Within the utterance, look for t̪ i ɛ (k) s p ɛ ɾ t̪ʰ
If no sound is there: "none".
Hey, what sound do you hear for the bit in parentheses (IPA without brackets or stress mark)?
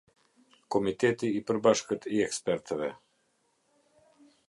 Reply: k